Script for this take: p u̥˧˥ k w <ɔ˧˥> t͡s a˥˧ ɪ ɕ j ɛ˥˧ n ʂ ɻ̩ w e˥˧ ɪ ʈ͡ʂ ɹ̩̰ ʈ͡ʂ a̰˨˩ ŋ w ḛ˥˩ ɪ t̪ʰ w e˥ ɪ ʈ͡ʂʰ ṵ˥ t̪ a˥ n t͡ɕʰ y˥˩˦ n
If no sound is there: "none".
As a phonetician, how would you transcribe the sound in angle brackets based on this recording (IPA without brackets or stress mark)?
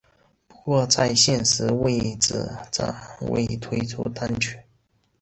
ɔ˥˧